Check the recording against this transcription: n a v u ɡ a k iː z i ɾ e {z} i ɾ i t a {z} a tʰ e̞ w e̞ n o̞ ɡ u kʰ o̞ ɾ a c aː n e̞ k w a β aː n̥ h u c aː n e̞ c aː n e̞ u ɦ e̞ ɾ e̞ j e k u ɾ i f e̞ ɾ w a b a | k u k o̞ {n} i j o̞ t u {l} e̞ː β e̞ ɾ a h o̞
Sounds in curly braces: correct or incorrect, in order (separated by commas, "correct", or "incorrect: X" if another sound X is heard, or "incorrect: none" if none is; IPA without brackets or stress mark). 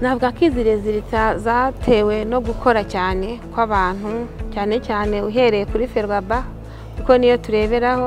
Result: correct, correct, correct, incorrect: ɾ